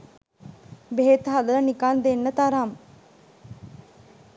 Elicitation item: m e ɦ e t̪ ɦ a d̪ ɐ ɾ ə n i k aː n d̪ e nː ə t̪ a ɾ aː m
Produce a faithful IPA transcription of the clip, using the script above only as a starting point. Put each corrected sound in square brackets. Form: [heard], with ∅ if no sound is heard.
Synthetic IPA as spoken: [b] e ɦ e t̪ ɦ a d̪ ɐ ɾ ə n i k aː n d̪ e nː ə t̪ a ɾ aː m